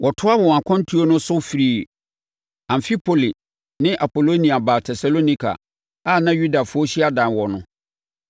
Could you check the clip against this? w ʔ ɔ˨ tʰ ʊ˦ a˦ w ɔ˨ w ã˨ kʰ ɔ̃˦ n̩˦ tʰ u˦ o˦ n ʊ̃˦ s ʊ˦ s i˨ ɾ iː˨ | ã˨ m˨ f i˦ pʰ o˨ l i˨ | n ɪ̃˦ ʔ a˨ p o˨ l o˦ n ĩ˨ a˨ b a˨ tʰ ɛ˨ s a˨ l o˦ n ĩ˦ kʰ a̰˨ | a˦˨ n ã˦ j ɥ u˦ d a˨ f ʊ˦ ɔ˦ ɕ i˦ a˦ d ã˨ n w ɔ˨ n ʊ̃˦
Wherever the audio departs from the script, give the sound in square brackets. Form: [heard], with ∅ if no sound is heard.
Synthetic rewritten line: w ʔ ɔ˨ tʰ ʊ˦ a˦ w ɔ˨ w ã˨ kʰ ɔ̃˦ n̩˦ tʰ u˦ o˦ n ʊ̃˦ s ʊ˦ [f] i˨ ɾ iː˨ | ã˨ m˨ f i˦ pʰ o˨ l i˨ | n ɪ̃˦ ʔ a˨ p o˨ l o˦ n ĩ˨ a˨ b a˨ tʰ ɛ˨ s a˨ l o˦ n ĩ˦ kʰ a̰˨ | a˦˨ n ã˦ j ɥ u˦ d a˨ f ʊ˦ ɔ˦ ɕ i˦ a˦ d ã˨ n w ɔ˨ n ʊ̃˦